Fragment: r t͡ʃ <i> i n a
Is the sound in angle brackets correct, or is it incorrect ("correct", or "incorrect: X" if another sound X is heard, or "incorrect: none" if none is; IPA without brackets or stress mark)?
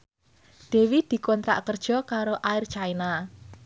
incorrect: a